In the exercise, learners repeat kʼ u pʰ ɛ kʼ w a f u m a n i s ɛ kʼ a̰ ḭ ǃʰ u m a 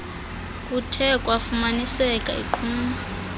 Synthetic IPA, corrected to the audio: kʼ u tʰ ɛ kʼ w a f u m a n i s ɛ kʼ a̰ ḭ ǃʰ uː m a